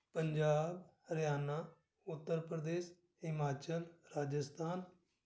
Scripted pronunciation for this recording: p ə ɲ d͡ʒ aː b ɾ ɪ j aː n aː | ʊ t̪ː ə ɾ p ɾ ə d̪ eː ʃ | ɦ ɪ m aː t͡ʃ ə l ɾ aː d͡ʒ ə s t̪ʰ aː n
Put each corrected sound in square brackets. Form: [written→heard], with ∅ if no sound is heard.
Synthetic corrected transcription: p ə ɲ d͡ʒ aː b ɾ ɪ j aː n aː | ʊ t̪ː ə ɾ p ɾ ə d̪ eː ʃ | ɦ ɪ m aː t͡ʃ ə l ɾ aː d͡ʒ ə s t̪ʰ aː n